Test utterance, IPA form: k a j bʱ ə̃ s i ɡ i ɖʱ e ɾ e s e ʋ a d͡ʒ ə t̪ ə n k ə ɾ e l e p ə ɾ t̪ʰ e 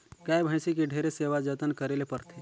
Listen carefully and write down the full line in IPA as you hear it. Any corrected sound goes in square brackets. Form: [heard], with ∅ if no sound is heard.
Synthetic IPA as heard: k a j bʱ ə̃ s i [k] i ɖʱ e ɾ e s e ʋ a d͡ʒ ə t̪ ə n k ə ɾ e l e p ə ɾ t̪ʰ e